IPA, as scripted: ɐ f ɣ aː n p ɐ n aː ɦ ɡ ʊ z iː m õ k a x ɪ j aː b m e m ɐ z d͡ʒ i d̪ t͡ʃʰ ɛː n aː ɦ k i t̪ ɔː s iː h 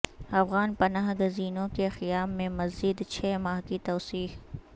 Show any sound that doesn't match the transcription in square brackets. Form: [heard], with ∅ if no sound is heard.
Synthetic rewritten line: ɐ f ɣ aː n p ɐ n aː ɦ ɡ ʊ z iː [n] õ k [e] x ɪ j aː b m [ẽ] m ɐ z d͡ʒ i d̪ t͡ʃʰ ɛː [m] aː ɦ k i t̪ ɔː s iː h